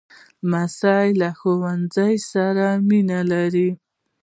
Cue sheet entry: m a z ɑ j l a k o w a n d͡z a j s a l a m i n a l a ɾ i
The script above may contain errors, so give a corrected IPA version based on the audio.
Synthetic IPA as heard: m a s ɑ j l a x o w a n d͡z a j s a ɾ a m i n a l a ɾ i